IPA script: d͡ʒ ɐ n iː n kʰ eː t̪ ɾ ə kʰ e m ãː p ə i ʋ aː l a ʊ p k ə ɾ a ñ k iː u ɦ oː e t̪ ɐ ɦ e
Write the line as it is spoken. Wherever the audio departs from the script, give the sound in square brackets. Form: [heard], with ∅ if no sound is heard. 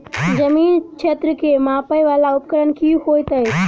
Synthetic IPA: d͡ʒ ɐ [m] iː n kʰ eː t̪ ɾ ə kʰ e m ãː p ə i ʋ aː l a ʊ p k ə ɾ [ə] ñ k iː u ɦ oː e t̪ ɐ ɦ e